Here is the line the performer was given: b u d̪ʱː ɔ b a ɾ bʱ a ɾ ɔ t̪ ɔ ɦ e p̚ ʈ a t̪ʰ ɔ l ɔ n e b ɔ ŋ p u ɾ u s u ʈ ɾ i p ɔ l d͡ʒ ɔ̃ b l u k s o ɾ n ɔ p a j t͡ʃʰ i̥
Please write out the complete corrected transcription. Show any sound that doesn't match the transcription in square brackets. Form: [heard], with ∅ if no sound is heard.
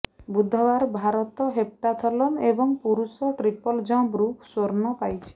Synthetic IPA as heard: b u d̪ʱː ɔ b a ɾ bʱ a ɾ ɔ t̪ ɔ ɦ e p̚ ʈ a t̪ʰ ɔ l ɔ n e b ɔ ŋ p u ɾ u s [ɔ] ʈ ɾ i p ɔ l d͡ʒ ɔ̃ b [ɾ] u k s o ɾ n ɔ p a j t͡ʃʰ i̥